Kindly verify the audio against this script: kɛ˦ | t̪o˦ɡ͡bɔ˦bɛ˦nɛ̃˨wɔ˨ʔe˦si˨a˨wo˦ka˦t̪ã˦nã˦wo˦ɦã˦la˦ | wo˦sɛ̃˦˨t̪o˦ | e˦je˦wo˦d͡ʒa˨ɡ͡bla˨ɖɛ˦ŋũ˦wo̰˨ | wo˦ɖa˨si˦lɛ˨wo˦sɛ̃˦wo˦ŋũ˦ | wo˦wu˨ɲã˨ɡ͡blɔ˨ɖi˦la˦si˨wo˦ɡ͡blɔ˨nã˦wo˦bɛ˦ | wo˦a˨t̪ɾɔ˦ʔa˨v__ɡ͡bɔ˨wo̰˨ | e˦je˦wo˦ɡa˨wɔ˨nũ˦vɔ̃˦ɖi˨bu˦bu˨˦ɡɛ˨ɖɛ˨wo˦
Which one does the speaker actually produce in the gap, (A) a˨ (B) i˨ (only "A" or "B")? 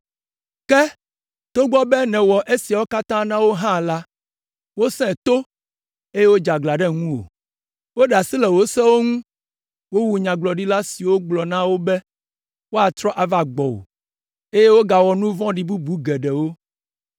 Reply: A